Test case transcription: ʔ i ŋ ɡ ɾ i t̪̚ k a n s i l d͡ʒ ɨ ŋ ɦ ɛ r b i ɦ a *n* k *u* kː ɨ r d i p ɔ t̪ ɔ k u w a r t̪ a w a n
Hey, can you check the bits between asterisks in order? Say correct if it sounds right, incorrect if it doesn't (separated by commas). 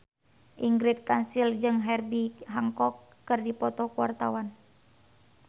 incorrect, incorrect